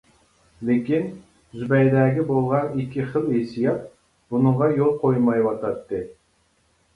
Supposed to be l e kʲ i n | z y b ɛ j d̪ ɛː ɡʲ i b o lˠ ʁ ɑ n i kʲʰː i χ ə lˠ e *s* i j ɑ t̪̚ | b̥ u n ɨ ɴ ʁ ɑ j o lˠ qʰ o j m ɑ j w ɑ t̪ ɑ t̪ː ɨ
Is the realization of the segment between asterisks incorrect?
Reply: no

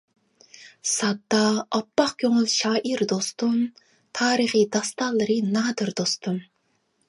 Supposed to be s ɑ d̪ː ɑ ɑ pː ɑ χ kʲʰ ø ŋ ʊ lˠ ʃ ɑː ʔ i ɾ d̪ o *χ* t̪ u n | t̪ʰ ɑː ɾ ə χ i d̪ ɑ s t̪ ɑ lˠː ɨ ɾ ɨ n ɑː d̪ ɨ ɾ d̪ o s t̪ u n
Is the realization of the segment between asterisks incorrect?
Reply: yes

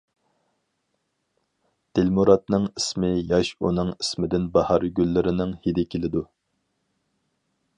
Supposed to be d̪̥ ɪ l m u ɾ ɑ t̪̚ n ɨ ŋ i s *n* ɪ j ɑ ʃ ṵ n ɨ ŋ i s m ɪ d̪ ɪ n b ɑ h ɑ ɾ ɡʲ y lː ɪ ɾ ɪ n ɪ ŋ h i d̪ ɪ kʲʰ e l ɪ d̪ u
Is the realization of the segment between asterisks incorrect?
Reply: yes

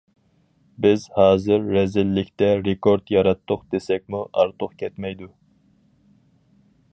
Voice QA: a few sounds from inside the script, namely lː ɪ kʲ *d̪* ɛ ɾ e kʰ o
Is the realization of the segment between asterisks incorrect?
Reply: yes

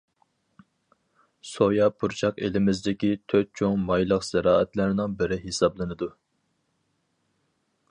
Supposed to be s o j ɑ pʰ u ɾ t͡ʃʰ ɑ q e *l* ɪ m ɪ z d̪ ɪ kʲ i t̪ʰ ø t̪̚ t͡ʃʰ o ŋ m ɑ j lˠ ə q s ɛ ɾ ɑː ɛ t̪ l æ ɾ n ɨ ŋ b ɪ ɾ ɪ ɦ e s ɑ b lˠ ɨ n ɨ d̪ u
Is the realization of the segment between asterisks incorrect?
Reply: no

